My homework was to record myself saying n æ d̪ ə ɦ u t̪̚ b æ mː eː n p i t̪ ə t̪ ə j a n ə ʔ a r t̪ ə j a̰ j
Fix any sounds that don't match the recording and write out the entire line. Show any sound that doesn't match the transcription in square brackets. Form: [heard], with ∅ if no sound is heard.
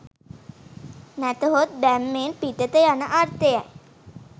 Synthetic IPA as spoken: n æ [t̪] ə ɦ [o] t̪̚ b æ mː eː n p i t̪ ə t̪ ə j a n ə ʔ a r t̪ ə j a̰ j

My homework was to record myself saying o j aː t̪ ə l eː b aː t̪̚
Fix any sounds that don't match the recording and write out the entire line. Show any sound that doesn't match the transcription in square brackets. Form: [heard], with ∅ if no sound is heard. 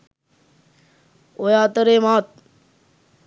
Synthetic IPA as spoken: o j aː t̪ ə [ɾ] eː [m] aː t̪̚

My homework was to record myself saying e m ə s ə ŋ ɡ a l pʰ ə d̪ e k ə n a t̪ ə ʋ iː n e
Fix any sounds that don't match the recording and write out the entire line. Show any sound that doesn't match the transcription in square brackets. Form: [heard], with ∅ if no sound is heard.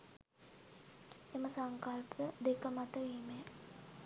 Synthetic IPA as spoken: e m ə s [a] ŋ [k] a l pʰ ə d̪ e k ə [m] a t̪ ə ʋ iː [m] e

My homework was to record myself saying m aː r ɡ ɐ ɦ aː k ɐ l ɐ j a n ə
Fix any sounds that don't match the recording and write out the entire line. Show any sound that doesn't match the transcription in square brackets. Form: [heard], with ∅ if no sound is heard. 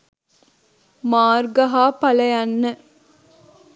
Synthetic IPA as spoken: m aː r ɡ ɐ ɦ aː [p] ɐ l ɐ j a [nː] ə

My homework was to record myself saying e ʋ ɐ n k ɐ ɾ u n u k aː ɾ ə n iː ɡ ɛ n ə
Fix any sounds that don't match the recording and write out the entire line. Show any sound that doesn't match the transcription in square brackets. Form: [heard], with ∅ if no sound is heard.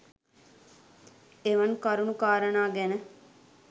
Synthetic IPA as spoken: e ʋ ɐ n k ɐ ɾ u n u k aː ɾ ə n [aː] ɡ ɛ n ə

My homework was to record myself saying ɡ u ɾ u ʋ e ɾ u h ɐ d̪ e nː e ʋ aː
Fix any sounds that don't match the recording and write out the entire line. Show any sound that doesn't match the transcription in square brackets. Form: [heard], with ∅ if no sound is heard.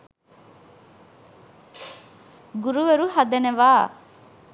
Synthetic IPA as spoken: ɡ u ɾ u ʋ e ɾ u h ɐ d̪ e [n] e ʋ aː

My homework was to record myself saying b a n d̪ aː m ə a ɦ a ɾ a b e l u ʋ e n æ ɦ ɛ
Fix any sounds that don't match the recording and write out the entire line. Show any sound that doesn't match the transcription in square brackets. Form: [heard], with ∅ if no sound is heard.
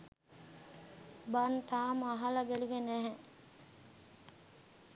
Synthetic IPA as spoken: b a n [t̪] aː m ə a ɦ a [l] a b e l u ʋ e n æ ɦ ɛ

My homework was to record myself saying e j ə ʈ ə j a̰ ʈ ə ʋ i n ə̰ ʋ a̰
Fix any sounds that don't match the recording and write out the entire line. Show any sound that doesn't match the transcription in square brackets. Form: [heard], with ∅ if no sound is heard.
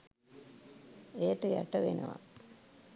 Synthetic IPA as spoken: e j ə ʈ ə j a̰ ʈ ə ʋ [e] n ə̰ ʋ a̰

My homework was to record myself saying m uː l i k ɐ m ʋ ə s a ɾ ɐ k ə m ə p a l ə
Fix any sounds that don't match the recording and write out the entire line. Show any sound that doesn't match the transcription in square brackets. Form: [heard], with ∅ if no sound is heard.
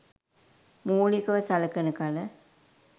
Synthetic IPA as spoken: m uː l i k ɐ [∅] ʋ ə s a [l] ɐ k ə [n] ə [k] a l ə

